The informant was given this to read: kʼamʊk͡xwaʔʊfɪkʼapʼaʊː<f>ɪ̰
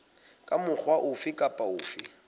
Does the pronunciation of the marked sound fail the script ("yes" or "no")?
no